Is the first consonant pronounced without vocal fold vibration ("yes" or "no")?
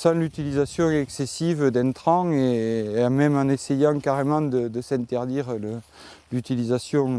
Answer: yes